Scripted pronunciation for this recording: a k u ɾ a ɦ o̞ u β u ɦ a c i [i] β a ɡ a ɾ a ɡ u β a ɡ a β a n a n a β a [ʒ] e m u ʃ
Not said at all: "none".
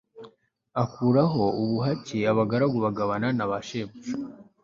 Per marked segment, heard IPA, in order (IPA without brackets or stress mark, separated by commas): a, ʃ